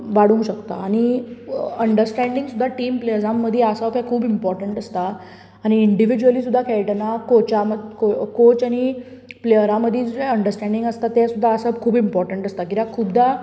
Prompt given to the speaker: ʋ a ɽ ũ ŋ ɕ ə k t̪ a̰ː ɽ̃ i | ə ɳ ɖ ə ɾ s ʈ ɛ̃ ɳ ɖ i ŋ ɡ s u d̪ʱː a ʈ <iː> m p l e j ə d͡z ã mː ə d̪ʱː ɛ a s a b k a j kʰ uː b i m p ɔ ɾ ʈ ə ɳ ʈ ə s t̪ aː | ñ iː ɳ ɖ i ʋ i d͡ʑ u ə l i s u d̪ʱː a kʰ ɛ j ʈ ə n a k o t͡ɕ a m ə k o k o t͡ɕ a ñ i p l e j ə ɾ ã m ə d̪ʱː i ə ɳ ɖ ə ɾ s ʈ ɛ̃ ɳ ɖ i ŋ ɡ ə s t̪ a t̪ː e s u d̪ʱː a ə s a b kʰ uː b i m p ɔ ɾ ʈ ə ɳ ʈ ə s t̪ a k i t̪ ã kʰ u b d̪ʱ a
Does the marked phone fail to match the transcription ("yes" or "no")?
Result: no